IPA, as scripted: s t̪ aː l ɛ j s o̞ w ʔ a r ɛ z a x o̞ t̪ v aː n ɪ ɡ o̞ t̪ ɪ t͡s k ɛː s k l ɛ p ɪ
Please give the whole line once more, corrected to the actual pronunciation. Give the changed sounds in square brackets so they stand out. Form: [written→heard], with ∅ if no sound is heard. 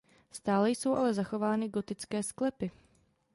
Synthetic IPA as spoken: s t̪ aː l ɛ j s o̞ w ʔ a [r→l] ɛ z a x o̞ [t̪→∅] v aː n ɪ ɡ o̞ t̪ ɪ t͡s k ɛː s k l ɛ p ɪ